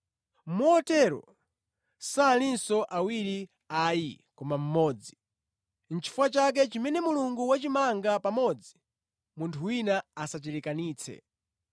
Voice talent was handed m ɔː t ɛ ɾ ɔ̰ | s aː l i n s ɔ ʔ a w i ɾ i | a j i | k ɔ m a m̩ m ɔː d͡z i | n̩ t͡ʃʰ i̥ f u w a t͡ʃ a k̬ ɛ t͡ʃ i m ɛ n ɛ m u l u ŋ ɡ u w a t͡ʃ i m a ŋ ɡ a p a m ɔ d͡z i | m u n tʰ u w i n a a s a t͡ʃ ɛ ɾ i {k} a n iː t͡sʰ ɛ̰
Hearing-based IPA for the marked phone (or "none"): k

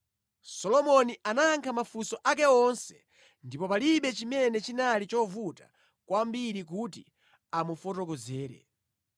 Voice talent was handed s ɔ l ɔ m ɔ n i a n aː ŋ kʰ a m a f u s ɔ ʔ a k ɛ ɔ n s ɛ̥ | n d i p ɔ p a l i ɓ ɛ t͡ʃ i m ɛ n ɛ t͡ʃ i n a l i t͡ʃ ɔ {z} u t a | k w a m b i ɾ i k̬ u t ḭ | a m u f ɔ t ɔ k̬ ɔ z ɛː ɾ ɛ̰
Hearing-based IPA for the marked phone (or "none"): v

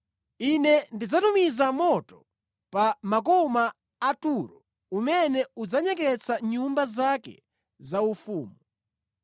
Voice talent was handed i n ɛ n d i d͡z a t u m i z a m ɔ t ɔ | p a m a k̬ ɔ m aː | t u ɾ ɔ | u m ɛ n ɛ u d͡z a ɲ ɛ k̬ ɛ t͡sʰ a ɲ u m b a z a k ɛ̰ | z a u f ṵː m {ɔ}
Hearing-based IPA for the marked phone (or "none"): u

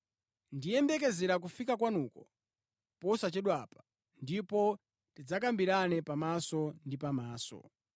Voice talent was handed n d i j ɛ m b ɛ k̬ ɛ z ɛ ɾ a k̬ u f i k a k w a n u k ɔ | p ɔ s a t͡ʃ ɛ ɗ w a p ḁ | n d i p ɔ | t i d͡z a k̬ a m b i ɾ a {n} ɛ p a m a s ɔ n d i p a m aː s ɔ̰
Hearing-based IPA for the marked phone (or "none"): n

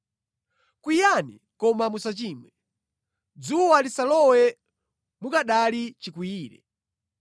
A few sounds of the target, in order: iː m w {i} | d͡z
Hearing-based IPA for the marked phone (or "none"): ɛ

